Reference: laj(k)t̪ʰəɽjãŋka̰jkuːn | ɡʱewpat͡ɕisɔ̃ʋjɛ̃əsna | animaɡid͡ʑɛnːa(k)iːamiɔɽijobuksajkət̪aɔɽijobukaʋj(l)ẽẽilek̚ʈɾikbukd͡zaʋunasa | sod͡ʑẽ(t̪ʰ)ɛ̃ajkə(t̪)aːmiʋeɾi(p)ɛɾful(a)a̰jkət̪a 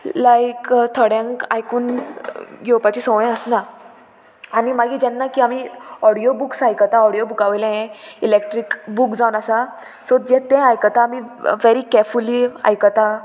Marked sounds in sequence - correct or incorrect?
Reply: correct, correct, correct, incorrect, correct, incorrect, incorrect

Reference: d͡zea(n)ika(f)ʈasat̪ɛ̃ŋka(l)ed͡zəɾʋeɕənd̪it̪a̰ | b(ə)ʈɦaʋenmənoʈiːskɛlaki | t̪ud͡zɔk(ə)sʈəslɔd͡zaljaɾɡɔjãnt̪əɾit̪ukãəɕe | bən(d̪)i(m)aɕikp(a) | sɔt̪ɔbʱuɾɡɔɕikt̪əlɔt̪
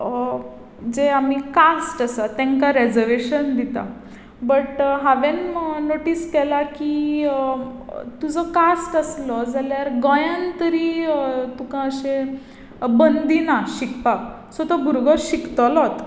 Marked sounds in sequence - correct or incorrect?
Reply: incorrect, incorrect, incorrect, correct, incorrect, correct, incorrect, correct

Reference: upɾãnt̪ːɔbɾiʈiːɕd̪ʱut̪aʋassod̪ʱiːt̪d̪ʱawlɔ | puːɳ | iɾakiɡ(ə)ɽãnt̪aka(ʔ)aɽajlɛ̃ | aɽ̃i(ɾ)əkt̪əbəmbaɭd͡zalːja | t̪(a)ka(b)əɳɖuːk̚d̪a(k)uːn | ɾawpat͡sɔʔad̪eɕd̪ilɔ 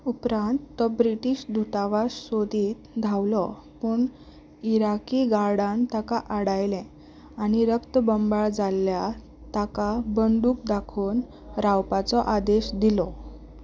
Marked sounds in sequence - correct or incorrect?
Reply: incorrect, correct, correct, correct, correct, incorrect

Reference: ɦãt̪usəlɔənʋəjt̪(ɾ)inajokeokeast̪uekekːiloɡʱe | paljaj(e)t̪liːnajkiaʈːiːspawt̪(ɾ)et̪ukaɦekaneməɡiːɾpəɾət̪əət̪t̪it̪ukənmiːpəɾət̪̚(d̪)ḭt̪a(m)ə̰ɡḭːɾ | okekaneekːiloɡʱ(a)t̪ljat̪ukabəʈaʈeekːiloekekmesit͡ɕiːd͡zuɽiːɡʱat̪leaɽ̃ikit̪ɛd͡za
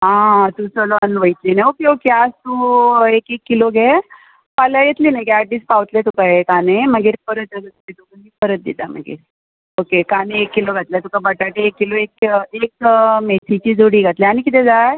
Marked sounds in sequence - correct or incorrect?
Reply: incorrect, correct, incorrect, correct, correct, correct

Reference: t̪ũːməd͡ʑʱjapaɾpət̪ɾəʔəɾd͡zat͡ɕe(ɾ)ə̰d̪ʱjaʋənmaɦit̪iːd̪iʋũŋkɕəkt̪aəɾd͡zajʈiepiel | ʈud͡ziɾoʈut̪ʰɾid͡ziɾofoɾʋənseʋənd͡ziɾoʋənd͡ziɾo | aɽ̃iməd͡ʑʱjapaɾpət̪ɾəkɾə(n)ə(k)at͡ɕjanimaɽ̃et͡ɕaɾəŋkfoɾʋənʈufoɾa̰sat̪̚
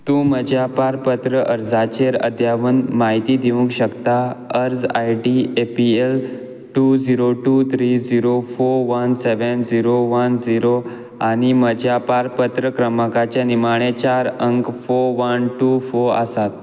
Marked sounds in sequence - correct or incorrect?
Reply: correct, incorrect, correct

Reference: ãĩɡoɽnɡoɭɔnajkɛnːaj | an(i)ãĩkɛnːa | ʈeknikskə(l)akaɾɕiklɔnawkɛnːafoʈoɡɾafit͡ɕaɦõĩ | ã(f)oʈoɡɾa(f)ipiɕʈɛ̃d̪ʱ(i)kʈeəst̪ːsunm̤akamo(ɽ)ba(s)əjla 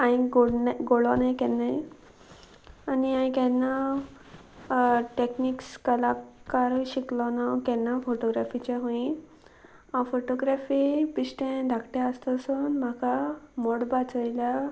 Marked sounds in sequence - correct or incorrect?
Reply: correct, correct, correct, correct, incorrect, correct, incorrect

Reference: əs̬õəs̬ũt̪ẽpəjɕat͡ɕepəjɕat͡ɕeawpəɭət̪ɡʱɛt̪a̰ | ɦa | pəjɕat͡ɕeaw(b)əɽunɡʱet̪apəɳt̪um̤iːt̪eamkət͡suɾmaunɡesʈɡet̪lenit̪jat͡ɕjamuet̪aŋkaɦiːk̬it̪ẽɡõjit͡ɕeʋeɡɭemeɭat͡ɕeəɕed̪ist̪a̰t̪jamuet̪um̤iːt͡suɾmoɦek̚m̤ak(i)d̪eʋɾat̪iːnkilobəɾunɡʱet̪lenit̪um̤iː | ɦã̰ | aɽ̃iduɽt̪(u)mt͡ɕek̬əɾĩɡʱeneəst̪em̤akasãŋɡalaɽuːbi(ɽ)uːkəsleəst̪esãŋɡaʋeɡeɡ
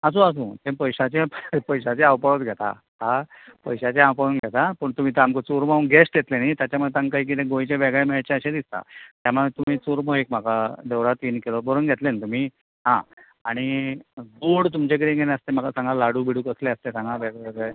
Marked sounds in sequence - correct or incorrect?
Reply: incorrect, incorrect, correct, correct

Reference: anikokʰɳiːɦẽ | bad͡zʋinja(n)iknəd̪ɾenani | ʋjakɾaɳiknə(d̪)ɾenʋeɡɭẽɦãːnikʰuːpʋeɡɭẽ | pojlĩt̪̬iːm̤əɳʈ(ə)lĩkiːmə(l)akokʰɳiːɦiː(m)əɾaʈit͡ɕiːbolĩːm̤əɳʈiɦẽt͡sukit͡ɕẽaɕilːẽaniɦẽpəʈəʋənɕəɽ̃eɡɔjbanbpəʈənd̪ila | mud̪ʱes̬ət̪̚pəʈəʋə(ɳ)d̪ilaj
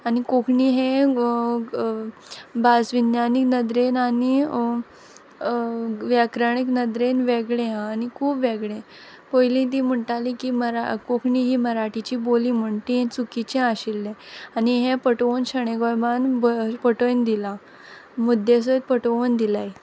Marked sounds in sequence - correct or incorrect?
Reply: correct, correct, incorrect, incorrect, correct, incorrect

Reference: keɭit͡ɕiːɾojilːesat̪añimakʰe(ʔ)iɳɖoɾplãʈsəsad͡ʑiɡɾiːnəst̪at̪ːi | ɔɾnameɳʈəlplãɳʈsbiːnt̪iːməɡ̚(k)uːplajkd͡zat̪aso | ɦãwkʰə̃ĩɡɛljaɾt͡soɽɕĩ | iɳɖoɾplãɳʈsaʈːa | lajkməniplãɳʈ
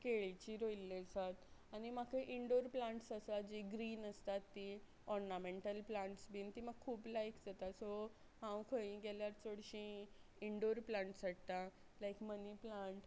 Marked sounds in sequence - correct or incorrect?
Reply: correct, incorrect

